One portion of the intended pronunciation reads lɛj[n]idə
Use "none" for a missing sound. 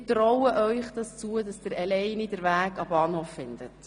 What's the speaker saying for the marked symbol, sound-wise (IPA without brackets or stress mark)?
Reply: n